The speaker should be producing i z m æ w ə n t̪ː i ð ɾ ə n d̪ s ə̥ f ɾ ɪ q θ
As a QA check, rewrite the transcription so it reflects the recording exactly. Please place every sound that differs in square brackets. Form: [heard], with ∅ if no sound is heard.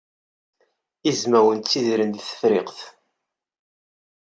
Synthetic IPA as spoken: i z m æ w ə n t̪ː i ð ɾ ə n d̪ [θ] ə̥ f ɾ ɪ q θ